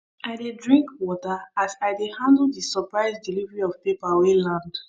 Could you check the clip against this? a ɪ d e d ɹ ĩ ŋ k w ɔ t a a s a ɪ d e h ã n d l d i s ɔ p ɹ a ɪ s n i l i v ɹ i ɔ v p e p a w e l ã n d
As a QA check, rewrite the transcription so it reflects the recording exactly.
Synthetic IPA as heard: a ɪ d e d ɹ ĩ ŋ k w ɔ t a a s a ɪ d e h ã n d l d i s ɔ p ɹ a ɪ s d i l i v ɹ i ɔ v p e p a w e l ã n d